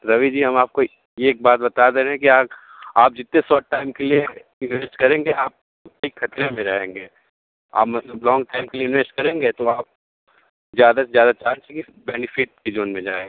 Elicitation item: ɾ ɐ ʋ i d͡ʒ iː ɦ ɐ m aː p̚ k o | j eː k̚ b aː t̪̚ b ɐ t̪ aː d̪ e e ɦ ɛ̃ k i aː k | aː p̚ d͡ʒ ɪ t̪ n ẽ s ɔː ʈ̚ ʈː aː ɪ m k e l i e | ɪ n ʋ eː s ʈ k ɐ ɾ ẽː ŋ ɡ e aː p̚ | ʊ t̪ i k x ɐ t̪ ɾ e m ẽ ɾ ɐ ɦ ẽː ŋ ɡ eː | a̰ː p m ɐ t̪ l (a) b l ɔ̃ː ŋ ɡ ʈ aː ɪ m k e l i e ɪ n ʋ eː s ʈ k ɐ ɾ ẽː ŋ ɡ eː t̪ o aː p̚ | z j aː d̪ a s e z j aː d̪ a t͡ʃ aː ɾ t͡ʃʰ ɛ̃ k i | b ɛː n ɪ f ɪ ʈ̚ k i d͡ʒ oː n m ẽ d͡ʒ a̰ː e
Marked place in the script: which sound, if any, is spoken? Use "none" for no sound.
ə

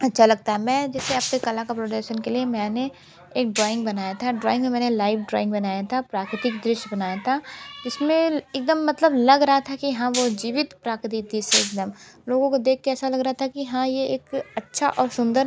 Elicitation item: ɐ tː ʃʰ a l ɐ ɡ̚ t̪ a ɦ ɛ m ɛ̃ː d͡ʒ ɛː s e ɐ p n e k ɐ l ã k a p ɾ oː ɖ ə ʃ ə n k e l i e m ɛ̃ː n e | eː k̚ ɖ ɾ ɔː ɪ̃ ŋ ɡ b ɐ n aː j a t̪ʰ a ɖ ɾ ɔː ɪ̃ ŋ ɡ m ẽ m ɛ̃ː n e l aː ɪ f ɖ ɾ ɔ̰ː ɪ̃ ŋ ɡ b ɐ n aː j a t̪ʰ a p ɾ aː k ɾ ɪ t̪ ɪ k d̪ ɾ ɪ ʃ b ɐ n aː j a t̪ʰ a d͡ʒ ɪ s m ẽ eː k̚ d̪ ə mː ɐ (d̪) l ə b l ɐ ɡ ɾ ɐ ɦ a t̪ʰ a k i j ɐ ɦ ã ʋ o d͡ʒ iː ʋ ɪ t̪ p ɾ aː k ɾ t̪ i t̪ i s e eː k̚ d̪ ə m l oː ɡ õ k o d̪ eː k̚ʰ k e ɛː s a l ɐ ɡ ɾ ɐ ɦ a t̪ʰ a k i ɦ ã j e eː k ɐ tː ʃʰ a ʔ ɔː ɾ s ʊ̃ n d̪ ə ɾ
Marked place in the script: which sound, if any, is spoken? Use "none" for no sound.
t̪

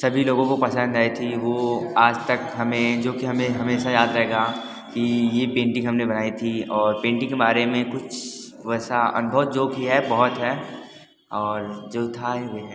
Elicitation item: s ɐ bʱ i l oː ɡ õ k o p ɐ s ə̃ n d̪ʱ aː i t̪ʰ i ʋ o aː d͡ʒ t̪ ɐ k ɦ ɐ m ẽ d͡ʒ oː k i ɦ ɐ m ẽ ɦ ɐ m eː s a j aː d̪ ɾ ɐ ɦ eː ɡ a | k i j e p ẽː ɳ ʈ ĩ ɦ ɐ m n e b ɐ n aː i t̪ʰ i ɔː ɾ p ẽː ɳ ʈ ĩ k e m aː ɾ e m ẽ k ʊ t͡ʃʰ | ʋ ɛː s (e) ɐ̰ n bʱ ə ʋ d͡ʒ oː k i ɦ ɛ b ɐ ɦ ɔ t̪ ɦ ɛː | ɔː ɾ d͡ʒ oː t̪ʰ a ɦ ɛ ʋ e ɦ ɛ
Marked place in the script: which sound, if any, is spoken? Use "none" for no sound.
a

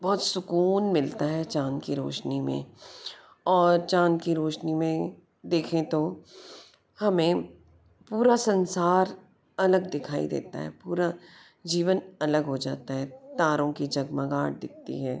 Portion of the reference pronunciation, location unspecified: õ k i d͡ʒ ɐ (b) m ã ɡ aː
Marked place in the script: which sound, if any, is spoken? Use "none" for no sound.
ɡ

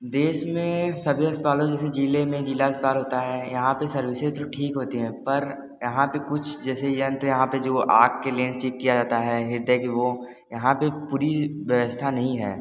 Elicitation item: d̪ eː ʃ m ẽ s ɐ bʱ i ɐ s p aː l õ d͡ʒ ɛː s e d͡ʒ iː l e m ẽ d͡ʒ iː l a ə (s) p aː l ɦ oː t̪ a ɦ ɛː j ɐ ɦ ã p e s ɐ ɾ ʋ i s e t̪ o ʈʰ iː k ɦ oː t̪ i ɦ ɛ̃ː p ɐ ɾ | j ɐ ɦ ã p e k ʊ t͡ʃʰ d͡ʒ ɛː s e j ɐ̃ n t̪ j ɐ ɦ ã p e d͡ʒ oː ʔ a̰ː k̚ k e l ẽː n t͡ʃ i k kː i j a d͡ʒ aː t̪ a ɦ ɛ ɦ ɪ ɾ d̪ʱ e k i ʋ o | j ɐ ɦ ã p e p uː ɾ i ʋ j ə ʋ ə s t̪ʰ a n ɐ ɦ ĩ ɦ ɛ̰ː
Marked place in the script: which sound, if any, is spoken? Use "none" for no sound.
s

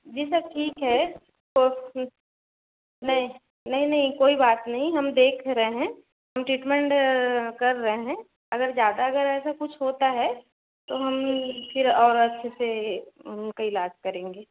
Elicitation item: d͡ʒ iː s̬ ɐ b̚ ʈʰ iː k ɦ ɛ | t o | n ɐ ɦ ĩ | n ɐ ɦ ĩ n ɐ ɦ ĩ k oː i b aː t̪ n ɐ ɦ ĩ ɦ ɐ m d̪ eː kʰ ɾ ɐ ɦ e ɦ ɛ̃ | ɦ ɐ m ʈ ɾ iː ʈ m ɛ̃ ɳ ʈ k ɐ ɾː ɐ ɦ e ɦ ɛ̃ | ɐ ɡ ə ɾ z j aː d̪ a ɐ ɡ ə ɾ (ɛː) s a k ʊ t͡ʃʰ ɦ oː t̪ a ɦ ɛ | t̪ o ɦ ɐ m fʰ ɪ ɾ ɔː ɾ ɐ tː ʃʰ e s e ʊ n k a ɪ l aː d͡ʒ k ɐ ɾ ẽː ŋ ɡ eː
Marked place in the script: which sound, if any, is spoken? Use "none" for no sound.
ɛː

